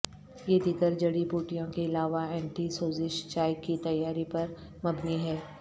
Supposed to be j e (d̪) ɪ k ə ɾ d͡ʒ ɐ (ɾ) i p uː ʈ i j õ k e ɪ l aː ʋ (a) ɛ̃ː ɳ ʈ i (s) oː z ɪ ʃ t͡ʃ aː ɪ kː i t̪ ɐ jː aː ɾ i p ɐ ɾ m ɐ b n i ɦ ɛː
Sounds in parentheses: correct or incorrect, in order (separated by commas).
correct, incorrect, correct, correct